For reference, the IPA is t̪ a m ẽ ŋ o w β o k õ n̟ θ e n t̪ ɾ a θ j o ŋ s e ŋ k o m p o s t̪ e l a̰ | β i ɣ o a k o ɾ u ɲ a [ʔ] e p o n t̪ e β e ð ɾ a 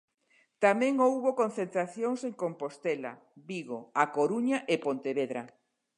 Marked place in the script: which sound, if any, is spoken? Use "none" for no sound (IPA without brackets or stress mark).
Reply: ʔ